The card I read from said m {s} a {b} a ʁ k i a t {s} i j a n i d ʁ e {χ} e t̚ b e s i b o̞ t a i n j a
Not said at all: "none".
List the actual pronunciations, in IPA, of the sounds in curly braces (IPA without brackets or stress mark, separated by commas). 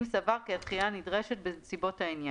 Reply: s, v, χ, ʃ